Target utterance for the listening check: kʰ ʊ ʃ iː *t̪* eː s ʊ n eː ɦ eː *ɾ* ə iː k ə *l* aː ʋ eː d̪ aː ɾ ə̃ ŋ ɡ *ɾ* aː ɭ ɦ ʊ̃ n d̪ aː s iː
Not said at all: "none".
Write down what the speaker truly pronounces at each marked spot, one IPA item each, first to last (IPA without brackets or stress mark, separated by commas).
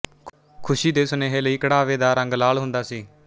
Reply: d̪, l, ɽ, l